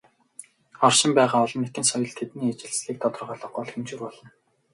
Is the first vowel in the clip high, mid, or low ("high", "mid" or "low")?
mid